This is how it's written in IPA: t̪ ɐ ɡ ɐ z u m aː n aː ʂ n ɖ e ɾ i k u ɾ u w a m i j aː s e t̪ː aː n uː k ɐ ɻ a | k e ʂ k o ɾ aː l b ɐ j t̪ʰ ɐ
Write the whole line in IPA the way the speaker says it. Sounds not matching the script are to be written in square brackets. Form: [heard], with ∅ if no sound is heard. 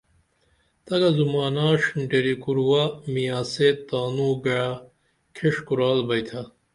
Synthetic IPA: t̪ ɐ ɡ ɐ z u m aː n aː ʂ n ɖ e ɾ i k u ɾ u w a m i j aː s e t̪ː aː n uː [ɡ] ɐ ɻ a | [kʰ] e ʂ k [u] ɾ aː l b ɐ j t̪ʰ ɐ